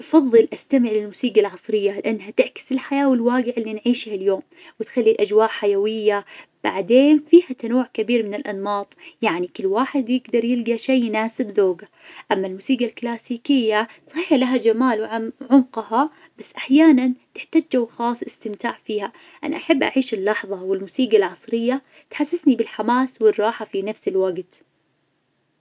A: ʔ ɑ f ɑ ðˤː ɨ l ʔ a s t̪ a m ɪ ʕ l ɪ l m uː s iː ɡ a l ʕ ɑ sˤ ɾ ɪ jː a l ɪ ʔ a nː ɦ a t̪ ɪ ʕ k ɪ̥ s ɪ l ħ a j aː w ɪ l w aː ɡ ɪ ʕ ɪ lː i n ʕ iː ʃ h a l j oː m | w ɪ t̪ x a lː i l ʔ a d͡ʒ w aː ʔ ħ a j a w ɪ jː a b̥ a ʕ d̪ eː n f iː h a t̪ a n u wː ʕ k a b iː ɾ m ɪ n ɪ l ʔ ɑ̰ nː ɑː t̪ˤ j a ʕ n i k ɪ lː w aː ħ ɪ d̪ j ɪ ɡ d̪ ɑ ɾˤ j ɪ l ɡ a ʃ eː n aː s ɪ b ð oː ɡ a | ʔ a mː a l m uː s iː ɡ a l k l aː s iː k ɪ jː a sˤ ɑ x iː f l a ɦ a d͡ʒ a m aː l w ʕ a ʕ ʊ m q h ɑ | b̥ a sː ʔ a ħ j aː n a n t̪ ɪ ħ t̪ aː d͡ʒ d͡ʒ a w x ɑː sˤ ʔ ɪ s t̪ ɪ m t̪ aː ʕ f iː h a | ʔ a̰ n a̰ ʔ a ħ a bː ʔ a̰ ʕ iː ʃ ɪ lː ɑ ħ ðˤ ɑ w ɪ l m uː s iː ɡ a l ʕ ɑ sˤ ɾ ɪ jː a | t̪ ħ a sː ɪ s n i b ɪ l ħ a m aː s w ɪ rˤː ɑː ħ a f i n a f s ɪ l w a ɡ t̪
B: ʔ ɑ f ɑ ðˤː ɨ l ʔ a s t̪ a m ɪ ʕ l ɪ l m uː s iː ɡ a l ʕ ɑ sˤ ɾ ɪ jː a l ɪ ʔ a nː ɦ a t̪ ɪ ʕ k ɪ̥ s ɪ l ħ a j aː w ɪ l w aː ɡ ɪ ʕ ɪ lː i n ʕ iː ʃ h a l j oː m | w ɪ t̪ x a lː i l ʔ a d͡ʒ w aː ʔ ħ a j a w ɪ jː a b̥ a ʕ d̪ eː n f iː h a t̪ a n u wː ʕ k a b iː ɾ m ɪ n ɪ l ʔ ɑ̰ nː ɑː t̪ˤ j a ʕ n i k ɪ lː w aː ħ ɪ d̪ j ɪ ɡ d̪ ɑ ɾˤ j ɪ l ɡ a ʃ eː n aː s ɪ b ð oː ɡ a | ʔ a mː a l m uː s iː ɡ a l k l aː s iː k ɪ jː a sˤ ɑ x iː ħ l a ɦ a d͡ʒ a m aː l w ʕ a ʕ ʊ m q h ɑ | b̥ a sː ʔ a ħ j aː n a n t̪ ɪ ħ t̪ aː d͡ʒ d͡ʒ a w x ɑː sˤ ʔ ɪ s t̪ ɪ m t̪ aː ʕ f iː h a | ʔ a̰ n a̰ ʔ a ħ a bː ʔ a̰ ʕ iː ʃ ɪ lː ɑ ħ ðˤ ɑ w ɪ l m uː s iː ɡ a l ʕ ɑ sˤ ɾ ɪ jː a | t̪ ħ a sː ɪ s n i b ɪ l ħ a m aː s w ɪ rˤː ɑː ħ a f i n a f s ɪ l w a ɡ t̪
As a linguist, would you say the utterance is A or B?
B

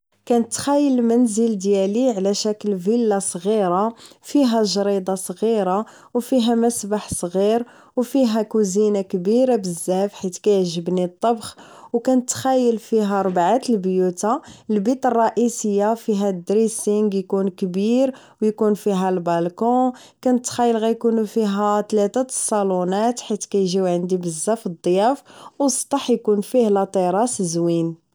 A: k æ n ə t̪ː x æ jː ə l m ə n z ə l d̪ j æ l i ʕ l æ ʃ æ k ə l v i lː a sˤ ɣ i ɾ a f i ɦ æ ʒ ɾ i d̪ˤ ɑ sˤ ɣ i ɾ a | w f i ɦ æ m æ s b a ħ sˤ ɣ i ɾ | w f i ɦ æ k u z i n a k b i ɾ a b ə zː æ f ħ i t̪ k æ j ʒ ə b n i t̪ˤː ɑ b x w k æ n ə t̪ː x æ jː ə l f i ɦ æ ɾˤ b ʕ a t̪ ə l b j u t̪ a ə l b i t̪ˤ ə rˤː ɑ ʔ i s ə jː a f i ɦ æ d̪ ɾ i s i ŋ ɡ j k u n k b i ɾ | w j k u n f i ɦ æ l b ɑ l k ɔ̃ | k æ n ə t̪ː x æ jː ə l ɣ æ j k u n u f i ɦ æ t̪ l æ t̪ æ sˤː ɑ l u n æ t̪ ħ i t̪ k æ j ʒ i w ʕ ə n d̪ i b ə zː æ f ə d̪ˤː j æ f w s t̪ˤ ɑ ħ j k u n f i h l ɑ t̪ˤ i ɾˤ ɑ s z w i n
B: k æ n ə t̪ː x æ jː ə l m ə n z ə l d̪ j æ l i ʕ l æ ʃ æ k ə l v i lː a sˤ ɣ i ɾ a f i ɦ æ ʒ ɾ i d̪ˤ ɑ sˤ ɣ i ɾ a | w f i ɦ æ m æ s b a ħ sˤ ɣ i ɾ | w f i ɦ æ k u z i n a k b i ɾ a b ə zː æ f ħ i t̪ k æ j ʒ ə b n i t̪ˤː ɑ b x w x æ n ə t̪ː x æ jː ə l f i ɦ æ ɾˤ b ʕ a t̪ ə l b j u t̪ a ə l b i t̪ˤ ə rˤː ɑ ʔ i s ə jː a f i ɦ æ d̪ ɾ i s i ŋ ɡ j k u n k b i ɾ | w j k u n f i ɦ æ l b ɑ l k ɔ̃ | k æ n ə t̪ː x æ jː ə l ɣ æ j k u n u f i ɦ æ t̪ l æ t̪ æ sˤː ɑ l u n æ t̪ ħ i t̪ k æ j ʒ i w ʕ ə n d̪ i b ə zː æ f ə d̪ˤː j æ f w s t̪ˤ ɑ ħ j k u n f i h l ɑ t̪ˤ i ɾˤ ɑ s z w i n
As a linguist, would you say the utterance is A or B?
A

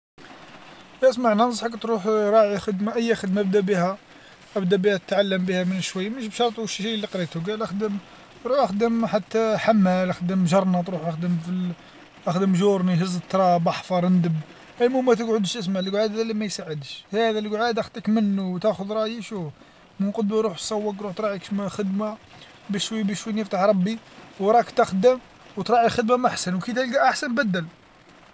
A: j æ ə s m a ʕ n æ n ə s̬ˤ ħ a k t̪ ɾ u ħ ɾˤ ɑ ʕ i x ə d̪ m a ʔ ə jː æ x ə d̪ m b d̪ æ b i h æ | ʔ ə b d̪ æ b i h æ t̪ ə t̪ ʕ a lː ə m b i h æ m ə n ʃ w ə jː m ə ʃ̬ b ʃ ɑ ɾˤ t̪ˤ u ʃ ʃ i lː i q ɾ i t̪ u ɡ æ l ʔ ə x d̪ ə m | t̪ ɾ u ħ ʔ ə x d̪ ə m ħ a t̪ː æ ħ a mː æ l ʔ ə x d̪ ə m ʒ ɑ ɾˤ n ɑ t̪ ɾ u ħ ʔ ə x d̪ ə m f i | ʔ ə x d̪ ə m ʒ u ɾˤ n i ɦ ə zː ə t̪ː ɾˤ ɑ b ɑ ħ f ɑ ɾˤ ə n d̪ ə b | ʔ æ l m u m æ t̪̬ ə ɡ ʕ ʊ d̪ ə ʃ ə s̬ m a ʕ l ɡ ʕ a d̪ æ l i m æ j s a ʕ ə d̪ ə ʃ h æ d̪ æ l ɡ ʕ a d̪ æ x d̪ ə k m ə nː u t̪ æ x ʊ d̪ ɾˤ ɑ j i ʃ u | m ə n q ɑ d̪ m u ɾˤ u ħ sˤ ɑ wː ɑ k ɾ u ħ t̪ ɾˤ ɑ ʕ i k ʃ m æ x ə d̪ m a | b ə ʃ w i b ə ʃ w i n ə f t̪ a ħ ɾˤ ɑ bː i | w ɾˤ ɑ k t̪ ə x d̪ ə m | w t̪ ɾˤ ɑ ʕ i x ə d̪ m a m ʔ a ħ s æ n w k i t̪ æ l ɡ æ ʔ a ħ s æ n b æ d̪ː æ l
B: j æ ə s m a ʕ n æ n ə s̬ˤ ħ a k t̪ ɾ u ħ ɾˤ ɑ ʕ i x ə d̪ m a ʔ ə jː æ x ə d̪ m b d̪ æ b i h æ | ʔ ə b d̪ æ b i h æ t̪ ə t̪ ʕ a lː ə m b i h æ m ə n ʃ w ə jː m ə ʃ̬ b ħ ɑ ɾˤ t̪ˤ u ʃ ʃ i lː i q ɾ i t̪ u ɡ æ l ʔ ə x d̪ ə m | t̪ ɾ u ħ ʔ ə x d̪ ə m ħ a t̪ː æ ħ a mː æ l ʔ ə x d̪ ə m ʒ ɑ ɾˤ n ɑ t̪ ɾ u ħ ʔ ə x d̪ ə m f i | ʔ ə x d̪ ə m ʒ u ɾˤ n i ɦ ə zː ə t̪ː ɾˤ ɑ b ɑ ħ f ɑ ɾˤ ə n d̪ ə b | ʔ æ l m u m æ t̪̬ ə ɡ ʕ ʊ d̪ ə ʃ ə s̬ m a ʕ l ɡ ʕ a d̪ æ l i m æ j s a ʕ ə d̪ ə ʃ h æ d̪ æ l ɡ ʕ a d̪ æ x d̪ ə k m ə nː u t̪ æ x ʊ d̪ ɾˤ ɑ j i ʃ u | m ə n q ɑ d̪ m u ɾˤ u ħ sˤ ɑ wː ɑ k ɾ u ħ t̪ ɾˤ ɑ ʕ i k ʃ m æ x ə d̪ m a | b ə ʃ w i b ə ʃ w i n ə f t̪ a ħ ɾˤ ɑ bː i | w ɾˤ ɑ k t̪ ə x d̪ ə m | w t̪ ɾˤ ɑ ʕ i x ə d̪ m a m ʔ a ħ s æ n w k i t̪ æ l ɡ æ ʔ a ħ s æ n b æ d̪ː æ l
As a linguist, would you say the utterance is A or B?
A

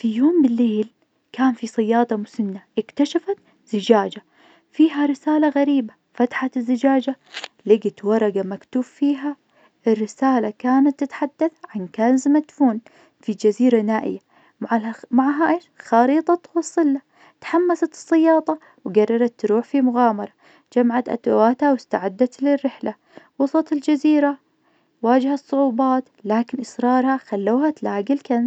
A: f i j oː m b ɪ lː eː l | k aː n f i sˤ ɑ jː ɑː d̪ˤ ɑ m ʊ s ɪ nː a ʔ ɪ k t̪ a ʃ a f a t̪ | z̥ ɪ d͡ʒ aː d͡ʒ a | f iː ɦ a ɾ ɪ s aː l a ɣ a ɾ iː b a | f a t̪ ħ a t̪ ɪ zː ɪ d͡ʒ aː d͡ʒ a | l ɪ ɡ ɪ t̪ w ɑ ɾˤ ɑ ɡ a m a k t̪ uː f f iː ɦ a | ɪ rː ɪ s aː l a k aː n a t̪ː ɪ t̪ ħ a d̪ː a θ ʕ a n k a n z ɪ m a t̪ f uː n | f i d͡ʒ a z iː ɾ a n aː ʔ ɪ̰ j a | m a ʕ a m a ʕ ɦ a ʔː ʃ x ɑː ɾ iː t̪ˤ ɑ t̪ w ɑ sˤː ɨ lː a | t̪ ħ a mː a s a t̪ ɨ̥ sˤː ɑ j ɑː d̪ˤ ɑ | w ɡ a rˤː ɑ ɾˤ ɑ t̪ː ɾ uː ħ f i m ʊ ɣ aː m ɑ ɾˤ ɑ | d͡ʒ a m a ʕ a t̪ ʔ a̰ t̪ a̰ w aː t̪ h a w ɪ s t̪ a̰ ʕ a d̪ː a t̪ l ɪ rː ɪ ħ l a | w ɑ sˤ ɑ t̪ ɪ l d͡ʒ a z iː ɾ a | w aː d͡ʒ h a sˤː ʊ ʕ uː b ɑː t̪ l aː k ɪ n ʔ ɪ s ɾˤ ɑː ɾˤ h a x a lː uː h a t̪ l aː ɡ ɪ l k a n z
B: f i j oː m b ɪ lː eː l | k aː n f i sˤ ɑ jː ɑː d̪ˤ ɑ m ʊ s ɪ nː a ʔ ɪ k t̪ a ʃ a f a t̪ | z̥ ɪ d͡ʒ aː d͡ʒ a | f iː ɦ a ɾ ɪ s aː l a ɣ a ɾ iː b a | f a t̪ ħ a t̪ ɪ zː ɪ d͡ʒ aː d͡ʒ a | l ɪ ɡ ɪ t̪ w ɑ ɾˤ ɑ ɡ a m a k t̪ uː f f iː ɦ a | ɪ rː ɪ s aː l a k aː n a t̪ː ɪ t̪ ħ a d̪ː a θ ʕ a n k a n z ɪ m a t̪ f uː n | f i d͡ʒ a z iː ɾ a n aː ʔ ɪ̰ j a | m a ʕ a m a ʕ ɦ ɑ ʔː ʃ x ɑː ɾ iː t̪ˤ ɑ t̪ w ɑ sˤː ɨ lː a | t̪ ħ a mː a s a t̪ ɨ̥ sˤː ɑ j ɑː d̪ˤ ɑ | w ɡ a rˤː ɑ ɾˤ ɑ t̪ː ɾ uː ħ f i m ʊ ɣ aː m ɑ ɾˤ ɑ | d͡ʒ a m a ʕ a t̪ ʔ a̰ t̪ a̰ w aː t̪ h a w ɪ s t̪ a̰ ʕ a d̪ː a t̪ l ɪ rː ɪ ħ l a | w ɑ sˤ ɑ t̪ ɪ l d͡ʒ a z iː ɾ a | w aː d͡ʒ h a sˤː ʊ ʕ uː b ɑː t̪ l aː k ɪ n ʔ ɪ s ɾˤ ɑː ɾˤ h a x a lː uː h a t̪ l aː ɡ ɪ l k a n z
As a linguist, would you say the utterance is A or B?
A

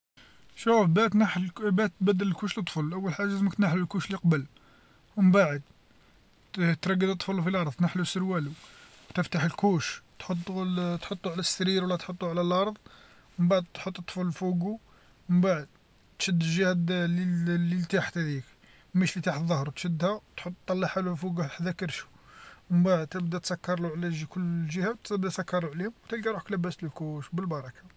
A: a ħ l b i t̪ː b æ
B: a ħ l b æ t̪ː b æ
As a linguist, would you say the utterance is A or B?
B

